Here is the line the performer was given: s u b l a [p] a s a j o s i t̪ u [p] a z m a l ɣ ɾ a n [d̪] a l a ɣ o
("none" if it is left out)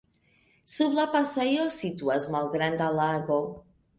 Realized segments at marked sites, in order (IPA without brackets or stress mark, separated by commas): p, none, d̪